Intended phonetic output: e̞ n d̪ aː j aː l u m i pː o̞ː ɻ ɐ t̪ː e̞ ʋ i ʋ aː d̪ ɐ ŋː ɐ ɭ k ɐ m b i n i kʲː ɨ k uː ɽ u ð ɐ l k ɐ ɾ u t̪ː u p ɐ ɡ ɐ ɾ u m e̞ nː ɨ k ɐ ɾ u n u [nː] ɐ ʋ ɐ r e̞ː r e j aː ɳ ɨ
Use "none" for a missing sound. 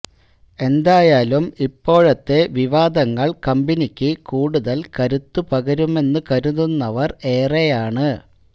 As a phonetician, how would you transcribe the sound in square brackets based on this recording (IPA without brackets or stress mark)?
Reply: nː